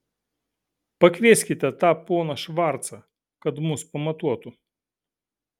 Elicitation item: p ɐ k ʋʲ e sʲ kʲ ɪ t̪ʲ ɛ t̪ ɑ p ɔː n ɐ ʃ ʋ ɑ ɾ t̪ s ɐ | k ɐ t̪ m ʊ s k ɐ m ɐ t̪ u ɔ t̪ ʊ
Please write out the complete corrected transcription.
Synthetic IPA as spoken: p ɐ k ʋʲ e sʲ kʲ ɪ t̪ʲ ɛ t̪ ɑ p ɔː n ɐ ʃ ʋ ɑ ɾ t̪ s ɐ | k ɐ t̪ m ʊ s p ɐ m ɐ t̪ u ɔ t̪ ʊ